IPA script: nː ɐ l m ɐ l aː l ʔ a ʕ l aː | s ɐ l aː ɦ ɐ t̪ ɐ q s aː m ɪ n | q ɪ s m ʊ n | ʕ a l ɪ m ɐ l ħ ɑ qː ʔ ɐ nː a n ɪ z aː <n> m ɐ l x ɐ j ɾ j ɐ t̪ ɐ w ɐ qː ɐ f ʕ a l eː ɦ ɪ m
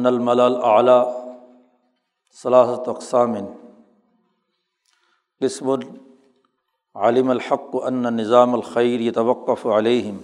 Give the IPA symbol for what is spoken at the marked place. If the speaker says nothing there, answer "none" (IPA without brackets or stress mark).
none